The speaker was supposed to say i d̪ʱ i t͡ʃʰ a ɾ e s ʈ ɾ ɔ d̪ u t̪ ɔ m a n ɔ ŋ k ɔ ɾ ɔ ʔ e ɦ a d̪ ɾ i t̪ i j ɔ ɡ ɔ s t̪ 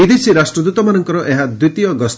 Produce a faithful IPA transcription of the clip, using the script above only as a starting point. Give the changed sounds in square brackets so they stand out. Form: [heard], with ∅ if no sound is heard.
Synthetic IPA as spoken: i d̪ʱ i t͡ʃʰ [i] ɾ [a] s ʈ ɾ ɔ d̪ u t̪ ɔ m a n ɔ ŋ k ɔ ɾ ɔ ʔ e ɦ a d̪ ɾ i t̪ i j ɔ ɡ ɔ s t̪